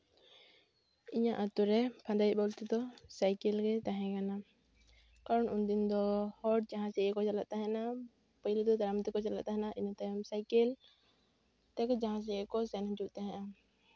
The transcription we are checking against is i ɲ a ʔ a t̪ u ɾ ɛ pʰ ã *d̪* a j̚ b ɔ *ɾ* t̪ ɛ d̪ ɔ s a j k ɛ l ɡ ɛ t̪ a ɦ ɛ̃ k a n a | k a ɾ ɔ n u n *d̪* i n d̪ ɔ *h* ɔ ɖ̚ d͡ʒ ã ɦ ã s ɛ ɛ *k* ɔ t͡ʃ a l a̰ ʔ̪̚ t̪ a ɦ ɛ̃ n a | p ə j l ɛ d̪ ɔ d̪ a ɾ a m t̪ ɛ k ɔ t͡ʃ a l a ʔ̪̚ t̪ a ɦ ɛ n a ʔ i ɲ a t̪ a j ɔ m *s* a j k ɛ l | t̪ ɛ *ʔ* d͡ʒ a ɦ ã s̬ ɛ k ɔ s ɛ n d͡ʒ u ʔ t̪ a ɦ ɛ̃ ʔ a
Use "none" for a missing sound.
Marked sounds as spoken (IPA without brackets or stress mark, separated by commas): d̪, l, d̪, h, k, s, k